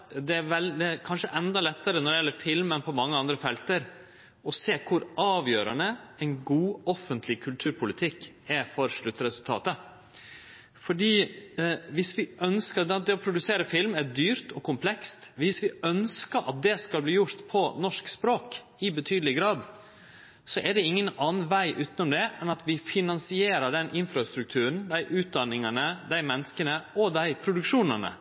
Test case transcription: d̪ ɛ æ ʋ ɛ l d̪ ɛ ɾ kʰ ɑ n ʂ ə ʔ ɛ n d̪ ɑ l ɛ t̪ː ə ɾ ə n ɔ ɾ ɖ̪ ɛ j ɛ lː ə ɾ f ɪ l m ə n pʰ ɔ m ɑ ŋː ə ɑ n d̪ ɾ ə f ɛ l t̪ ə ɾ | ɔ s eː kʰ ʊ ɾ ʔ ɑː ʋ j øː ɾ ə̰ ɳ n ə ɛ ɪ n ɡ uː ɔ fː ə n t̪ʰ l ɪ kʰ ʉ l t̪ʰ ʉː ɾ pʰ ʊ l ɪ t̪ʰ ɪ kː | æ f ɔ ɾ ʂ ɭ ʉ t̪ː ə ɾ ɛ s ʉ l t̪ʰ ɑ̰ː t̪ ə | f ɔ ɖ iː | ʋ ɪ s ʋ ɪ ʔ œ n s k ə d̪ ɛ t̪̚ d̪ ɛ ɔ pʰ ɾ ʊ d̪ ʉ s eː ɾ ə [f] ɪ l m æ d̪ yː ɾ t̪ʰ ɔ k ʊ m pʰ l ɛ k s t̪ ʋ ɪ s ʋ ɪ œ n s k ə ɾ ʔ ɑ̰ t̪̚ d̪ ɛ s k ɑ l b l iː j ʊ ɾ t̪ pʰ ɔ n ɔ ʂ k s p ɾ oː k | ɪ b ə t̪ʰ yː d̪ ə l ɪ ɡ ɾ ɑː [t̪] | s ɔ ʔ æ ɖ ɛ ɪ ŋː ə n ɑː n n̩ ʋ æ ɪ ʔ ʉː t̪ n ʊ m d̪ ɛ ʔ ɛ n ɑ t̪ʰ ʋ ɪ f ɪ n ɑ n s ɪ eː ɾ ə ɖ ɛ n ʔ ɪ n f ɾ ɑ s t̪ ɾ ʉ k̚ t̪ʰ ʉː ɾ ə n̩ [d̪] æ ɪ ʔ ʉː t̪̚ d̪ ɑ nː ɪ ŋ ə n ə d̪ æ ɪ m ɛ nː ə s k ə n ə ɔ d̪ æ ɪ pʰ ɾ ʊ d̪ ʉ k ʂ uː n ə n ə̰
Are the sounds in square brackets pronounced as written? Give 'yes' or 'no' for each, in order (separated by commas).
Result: yes, no, yes